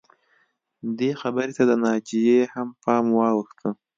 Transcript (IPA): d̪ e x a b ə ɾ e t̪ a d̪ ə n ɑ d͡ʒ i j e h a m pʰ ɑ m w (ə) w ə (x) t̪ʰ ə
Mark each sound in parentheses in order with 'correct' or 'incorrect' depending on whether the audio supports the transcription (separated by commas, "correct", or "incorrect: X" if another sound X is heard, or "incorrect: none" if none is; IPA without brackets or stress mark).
incorrect: ɑ, correct